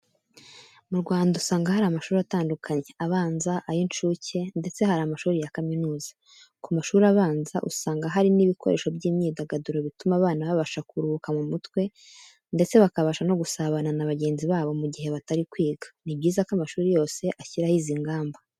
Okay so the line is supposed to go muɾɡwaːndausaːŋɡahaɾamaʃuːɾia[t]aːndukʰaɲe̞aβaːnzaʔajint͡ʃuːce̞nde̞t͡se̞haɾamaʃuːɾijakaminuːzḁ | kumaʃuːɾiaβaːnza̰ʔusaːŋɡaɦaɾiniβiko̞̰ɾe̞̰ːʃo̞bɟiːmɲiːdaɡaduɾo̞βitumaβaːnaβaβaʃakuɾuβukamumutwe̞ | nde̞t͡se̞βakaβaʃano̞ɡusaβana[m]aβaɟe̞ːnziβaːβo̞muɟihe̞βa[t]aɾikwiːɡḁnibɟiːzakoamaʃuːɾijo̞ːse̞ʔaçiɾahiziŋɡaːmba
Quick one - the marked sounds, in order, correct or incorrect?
correct, incorrect: n, correct

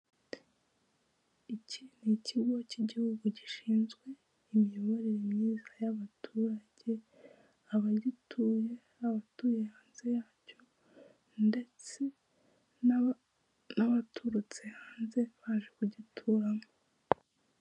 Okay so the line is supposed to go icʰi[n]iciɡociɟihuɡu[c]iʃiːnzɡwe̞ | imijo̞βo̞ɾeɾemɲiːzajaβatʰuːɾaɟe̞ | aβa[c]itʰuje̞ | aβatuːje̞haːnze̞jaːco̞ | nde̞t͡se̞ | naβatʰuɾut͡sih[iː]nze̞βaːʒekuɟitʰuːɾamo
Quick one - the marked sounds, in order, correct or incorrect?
correct, incorrect: ɟ, incorrect: ɟ, incorrect: aː

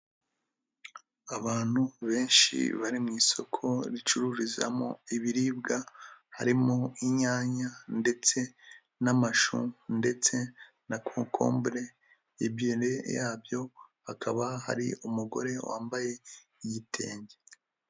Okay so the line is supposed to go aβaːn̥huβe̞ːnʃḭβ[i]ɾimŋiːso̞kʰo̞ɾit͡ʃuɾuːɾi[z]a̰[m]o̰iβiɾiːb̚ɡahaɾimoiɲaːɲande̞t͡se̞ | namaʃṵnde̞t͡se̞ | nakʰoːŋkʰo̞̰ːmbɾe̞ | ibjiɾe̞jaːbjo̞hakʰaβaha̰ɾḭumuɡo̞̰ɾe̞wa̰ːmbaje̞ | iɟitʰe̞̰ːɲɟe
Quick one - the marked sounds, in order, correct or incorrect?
incorrect: a, correct, correct

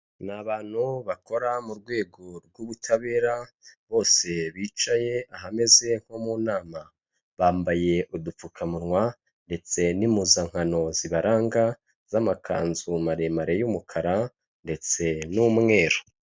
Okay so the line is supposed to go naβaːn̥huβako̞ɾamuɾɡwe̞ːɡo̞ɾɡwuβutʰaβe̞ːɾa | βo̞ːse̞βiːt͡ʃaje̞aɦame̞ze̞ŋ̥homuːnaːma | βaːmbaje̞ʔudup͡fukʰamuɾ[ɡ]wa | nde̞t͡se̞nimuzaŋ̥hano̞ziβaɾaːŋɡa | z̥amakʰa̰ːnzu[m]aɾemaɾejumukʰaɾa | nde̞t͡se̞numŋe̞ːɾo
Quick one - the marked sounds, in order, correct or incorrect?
incorrect: ŋ, correct

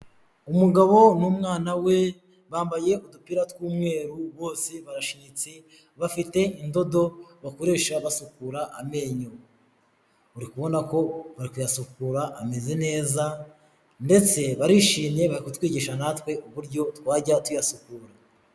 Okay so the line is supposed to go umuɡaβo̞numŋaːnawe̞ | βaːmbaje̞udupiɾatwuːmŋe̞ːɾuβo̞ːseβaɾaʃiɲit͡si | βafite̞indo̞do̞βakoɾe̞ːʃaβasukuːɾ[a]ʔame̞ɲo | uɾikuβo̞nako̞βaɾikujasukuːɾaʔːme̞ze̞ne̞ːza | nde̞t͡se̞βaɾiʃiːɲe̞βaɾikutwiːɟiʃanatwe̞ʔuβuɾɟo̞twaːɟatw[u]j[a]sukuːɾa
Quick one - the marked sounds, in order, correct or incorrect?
correct, correct, correct

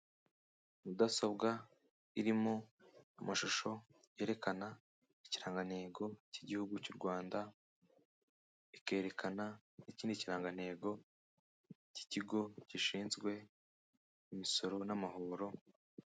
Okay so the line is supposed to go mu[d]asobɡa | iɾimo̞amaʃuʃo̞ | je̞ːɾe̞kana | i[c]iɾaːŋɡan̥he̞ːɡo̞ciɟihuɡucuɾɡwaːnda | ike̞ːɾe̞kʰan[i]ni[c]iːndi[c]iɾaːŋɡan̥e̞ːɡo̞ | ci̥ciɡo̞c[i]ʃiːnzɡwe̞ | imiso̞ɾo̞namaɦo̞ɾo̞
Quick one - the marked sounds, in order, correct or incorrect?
correct, correct, incorrect: a, correct, correct, correct

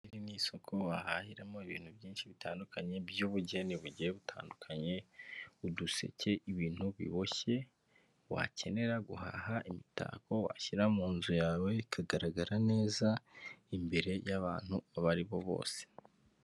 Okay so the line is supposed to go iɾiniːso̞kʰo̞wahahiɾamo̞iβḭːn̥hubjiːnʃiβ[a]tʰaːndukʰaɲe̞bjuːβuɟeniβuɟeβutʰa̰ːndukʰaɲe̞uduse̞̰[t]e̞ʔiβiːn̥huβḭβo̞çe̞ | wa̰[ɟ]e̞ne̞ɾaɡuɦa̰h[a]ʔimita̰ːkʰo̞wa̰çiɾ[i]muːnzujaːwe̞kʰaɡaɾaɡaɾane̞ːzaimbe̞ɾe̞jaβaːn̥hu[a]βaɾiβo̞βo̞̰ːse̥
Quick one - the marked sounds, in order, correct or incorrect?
incorrect: i, incorrect: c, incorrect: c, correct, incorrect: a, correct

